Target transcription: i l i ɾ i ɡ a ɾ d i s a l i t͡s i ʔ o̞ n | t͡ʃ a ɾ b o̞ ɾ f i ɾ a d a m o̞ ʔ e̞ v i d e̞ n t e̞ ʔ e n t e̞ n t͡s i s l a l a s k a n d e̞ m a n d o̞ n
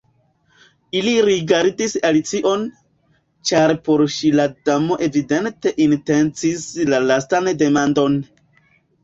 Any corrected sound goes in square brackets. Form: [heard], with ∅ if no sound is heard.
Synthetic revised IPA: i l i ɾ i ɡ a ɾ d i s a l i t͡s i ʔ o̞ n | t͡ʃ a ɾ [p] o̞ ɾ [ʃ] i [l] a d a m o̞ ʔ e̞ v i d e̞ n t e̞ ʔ [i] n t e̞ n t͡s i s l a l a s [t] a n d e̞ m a n d o̞ n

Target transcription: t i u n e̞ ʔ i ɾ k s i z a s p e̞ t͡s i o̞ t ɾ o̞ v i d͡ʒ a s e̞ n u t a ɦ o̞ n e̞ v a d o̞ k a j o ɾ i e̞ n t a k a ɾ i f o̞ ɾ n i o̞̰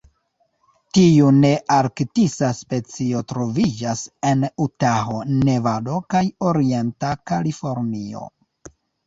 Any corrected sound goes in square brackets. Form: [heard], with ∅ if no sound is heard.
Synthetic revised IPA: t i u n e̞ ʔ [a] ɾ k [t] i [s] a s p e̞ t͡s i o̞ t ɾ o̞ v i d͡ʒ a s e̞ n u t a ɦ o̞ n e̞ v a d o̞ k a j o ɾ i e̞ n t a k a [l] i f o̞ ɾ n i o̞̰

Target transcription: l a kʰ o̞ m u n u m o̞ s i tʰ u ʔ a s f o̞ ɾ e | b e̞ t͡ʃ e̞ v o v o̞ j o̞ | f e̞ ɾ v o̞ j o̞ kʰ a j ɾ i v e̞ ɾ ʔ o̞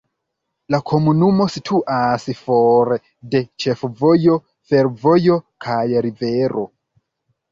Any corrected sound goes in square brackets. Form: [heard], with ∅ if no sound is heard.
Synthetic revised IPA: l a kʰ o̞ m u n u m o̞ s i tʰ u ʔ a s f o̞ ɾ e | [d] e̞ t͡ʃ e̞ [f] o v o̞ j o̞ | f e̞ ɾ v o̞ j o̞ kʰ a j ɾ i v e̞ ɾ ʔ o̞

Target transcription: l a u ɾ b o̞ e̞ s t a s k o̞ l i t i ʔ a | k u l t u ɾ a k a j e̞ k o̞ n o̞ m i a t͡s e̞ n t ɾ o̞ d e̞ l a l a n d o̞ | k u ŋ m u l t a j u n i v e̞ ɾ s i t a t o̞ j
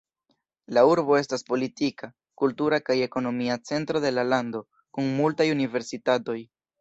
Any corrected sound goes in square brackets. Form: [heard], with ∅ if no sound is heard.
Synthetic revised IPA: l a u ɾ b o̞ e̞ s t a s [p] o̞ l i t i [k] a | k u l t u ɾ a k a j e̞ k o̞ n o̞ m i a t͡s e̞ n t ɾ o̞ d e̞ l a l a n d o̞ | k u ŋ m u l t a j u n i v e̞ ɾ s i t a t o̞ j

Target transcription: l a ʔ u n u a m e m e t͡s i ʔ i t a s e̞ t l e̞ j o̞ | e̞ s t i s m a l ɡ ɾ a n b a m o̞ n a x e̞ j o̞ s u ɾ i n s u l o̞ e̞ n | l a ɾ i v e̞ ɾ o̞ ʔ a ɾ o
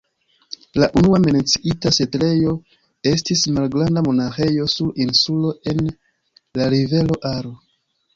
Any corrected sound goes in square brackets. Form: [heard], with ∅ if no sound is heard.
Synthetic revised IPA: l a ʔ u n u a m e [n] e t͡s i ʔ i t a s e̞ t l e̞ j o̞ | e̞ s t i s m a l ɡ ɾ a n [d] a m o̞ n a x e̞ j o̞ s u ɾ i n s u l o̞ e̞ n | l a ɾ i v e̞ [l] o̞ ʔ a ɾ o

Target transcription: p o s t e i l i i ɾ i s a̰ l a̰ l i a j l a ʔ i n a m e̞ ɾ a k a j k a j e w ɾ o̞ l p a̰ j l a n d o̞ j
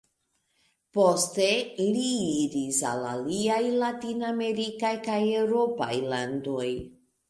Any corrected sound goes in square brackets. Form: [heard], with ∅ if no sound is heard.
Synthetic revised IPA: p o s t e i l i i ɾ i s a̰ l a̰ l i a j l a [t] i n a m e̞ ɾ [i] k a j k a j e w ɾ o̞ [∅] p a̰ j l a n d o̞ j

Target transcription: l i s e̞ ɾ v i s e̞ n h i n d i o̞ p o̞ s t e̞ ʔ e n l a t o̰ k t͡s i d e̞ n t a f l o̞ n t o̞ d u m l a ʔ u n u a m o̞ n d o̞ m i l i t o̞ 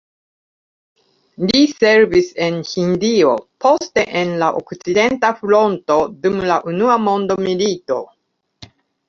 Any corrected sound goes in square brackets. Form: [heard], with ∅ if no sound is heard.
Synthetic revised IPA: l i s e̞ ɾ v i s e̞ n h i n d i o̞ p o̞ s t e̞ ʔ e n l a [ʔ] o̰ k t͡s i d e̞ n t a f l o̞ n t o̞ d u m l a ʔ u n u a m o̞ n d o̞ m i l i t o̞

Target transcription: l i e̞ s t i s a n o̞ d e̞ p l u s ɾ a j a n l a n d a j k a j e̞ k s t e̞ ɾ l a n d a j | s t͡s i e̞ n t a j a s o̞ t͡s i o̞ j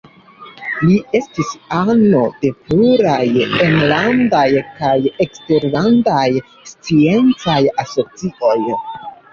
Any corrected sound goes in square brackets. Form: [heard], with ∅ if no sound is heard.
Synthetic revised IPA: l i e̞ s t i s a n o̞ d e̞ p l u [∅] ɾ a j [e] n l a n d a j k a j e̞ k s t e̞ ɾ l a n d a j | s t͡s i e̞ n [t͡s] a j a s o̞ t͡s i o̞ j

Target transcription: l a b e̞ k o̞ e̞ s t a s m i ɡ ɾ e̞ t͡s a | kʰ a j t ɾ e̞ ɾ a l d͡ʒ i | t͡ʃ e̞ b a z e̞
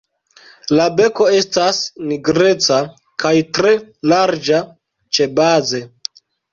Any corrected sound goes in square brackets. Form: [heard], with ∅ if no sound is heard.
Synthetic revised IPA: l a b e̞ k o̞ e̞ s t a s [n] i ɡ ɾ e̞ t͡s a | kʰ a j t ɾ e̞ [l] a [ɾ] d͡ʒ [a] | t͡ʃ e̞ b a z e̞

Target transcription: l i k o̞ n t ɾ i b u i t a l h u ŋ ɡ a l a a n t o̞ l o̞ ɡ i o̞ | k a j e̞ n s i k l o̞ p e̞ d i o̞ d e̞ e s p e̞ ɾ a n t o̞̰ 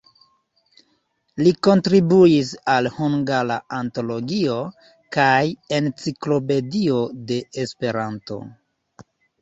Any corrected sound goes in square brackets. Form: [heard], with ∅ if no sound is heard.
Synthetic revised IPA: l i k o̞ n t ɾ i b u i [s] a l h u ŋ ɡ a l a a n t o̞ l o̞ ɡ i o̞ | k a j e̞ n [t͡s] i k l o̞ p e̞ d i o̞ d e̞ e s p e̞ ɾ a n t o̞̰

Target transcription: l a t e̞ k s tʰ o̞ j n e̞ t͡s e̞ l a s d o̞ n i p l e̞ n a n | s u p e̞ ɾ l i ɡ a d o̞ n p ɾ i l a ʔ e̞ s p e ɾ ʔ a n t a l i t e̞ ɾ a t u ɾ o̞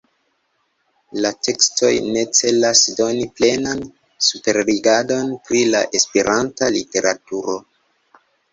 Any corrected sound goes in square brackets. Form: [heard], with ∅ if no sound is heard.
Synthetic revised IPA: l a t e̞ k s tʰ o̞ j n e̞ t͡s e̞ l a s d o̞ n i p l e̞ n a n | s u p e̞ ɾ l i ɡ a d o̞ n p ɾ i l a ʔ e̞ s p e ɾ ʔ a n t a l i t e̞ ɾ a t u ɾ o̞

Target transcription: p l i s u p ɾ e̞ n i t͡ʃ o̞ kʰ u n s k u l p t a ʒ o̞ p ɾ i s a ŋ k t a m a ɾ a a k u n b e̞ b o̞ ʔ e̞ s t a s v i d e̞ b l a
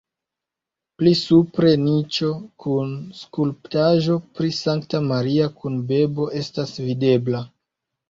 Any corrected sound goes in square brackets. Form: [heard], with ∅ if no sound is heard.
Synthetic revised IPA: p l i s u p ɾ e̞ n i t͡ʃ o̞ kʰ u n s k u l p t a ʒ o̞ p ɾ i s a ŋ k t a m a ɾ [i] a k u n b e̞ b o̞ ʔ e̞ s t a s v i d e̞ b l a

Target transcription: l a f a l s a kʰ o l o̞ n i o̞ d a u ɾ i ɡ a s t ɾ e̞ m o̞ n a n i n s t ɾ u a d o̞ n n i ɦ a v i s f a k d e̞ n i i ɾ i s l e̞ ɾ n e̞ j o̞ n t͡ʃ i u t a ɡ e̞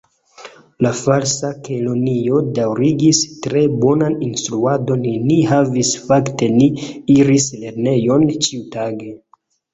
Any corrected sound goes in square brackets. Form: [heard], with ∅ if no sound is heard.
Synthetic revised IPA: l a f a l s a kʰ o l o̞ n i o̞ d a [w] ɾ i ɡ [i] s t ɾ e̞ [b] o̞ n a n i n s t ɾ u a d o̞ n n i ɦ a v i s f a k [t] e̞ n i i ɾ i s l e̞ ɾ n e̞ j o̞ n t͡ʃ i u t a ɡ e̞

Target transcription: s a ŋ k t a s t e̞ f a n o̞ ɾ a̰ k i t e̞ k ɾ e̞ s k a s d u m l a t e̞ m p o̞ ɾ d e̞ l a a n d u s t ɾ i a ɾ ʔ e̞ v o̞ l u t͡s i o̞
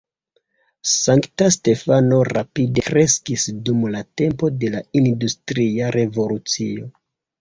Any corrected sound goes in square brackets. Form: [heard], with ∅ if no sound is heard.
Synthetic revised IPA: s a ŋ k t a s t e̞ f a n o̞ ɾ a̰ [p] i [d] e̞ k ɾ e̞ s k [i] s d u m l a t e̞ m p o̞ [∅] d e̞ l a [i] n d u s t ɾ i a ɾ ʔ e̞ v o̞ l u t͡s i o̞

